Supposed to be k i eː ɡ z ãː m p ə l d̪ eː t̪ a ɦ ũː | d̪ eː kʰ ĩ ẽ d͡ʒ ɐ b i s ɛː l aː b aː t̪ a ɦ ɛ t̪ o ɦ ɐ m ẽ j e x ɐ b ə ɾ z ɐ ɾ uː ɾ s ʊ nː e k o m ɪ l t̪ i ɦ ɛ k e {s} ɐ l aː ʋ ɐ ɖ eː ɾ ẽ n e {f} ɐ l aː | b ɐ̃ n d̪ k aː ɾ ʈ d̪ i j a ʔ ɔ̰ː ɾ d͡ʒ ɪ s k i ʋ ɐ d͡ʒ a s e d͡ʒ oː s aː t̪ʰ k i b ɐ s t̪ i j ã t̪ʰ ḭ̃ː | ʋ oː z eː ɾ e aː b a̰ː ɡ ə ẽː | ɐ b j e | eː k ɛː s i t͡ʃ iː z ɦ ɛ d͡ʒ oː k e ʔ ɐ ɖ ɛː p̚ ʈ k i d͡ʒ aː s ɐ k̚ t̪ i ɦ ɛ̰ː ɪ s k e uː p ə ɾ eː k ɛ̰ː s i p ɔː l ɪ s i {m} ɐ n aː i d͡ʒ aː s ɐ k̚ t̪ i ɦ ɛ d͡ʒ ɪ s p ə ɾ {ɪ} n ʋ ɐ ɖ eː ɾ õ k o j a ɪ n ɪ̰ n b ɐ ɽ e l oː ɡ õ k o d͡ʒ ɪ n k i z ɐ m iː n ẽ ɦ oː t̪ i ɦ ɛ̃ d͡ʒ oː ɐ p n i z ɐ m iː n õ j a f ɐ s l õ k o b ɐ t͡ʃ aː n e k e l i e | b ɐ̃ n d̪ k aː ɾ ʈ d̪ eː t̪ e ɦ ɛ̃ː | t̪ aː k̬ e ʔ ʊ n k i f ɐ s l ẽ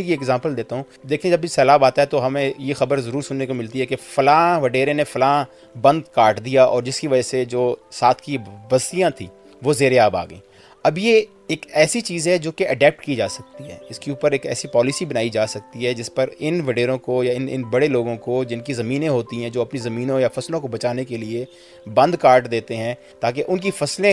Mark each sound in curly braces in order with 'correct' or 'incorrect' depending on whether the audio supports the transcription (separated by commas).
incorrect, correct, incorrect, correct